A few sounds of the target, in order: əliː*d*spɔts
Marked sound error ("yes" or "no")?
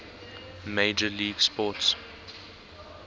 yes